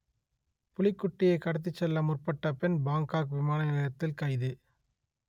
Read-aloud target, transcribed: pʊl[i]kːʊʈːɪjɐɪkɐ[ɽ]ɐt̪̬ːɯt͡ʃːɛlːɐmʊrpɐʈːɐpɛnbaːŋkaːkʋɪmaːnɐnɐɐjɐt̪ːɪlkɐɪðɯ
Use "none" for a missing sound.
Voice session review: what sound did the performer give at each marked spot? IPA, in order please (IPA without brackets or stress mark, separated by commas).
ɪ, ɽ